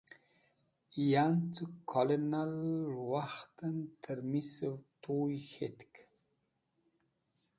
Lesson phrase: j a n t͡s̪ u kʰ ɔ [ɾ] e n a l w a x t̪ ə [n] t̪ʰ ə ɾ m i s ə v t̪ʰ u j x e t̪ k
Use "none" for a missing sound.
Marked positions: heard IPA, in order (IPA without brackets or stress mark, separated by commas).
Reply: l, n